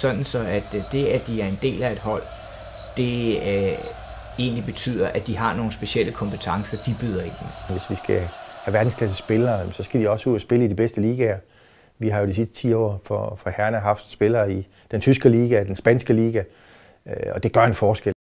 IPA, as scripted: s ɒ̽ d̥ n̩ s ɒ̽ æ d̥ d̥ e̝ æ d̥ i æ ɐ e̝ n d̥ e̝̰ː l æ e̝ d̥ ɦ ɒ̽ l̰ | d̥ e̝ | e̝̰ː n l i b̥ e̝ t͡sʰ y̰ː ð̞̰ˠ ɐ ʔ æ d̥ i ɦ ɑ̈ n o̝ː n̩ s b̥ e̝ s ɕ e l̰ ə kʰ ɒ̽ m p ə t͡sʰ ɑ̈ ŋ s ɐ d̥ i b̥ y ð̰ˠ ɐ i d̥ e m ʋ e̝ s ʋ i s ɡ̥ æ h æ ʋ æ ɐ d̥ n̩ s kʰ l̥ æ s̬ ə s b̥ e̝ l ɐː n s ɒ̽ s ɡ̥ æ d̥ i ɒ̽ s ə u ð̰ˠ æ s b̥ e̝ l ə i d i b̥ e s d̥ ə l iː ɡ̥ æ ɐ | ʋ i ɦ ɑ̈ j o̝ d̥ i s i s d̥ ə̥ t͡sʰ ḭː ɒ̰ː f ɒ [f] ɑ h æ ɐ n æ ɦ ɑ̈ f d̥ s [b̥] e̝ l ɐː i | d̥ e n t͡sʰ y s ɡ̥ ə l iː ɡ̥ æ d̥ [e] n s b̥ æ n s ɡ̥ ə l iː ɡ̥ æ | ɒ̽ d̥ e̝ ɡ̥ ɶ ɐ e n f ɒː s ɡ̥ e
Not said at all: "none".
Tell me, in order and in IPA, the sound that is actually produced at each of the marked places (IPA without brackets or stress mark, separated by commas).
f, b̥, e